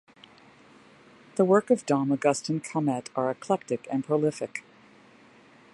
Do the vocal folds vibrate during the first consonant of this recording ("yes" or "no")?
yes